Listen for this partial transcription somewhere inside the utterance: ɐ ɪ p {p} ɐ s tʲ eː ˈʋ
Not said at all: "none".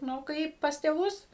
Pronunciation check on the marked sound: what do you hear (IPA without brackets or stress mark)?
p